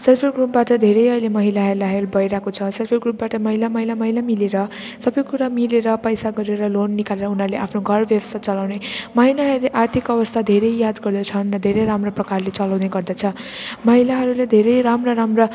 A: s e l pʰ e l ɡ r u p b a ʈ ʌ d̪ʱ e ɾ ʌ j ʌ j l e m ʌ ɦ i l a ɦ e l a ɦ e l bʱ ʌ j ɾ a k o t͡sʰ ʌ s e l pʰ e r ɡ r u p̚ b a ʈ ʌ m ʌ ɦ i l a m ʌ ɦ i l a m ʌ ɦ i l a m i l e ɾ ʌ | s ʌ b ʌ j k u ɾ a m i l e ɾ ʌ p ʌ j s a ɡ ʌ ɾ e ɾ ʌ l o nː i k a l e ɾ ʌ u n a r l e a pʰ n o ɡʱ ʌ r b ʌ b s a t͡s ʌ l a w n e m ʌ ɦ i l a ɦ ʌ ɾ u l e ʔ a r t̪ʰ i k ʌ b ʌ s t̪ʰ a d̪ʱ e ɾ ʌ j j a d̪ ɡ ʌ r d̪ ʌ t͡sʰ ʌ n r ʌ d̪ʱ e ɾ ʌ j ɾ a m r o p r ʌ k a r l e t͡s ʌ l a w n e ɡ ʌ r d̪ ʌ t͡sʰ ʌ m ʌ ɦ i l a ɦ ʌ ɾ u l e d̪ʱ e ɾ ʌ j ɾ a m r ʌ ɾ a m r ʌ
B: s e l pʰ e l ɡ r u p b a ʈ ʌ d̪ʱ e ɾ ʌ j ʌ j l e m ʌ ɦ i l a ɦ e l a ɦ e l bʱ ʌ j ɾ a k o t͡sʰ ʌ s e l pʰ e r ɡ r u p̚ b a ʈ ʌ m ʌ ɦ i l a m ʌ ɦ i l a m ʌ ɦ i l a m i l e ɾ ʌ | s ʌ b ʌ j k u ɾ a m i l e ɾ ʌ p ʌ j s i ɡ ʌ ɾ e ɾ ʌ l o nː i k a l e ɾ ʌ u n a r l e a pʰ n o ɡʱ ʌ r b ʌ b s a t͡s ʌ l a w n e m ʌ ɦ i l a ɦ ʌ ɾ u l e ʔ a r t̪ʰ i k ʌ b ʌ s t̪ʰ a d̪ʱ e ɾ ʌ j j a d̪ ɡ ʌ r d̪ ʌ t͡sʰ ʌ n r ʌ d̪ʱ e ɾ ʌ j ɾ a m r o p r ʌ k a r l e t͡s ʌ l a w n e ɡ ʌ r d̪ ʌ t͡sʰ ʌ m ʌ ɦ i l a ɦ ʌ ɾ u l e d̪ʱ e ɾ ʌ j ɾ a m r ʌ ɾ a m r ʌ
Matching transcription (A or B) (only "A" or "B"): A